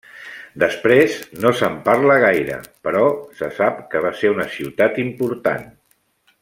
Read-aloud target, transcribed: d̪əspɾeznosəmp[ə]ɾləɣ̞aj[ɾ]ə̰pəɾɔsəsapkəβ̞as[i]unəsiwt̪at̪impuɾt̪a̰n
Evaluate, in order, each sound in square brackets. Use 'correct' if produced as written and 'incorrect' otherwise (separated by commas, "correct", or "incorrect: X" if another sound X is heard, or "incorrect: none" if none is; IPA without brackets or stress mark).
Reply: incorrect: a, correct, incorrect: e